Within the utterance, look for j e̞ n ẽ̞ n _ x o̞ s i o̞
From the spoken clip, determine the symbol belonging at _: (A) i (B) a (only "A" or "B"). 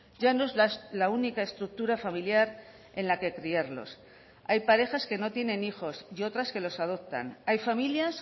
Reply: A